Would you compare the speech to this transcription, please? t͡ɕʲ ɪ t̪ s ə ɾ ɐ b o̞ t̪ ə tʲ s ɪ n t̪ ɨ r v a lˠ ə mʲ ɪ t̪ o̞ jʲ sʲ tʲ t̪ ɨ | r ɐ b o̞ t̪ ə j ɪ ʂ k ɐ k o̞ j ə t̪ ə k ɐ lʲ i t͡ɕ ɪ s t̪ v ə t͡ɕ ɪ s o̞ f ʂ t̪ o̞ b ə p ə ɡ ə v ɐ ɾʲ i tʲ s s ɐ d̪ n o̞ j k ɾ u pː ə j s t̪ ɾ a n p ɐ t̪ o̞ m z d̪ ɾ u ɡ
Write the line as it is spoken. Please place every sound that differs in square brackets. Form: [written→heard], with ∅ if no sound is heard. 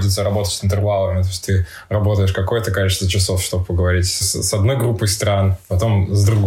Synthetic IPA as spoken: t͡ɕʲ ɪ t̪ s ə ɾ ɐ b o̞ t̪ ə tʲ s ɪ n t̪ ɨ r v a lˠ ə mʲ ɪ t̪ o̞ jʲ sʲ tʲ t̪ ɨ | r ɐ b o̞ t̪ ə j ɪ ʂ k ɐ k o̞ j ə t̪ ə k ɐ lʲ i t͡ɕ ɪ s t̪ v ə t͡ɕ ɪ s o̞ f ʂ t̪ o̞ b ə p ə ɡ ə v ɐ ɾʲ i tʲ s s ɐ d̪ n o̞ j [k→ɡ] ɾ u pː ə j s t̪ ɾ a n p ɐ t̪ o̞ m z d̪ ɾ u ɡ